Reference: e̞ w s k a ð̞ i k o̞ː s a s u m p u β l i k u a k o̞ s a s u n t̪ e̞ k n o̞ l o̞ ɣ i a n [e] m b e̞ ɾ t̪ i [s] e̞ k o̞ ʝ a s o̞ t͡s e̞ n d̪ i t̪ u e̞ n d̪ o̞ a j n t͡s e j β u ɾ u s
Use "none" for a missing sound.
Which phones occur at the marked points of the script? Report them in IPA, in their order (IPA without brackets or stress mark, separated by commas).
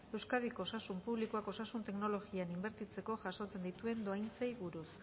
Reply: i, t͡s